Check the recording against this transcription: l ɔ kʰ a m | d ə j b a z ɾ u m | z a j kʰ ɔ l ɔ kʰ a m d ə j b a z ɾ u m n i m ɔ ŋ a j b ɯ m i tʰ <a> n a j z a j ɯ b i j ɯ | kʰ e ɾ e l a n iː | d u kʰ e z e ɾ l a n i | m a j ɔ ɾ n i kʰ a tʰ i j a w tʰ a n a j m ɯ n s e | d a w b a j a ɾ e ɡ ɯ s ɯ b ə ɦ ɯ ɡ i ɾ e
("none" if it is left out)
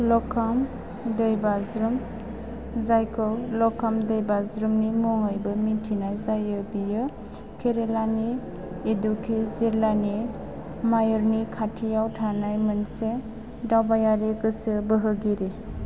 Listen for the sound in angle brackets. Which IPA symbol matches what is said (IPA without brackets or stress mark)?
i